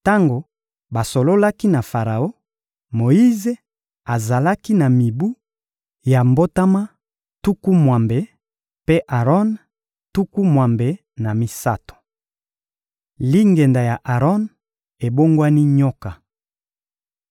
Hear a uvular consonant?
yes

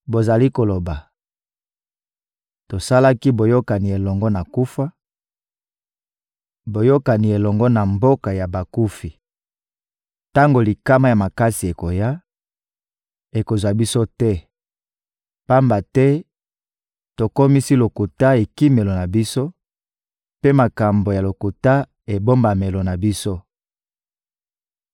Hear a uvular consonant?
no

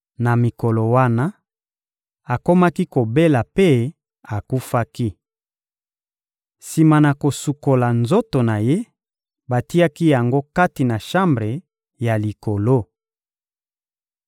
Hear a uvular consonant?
yes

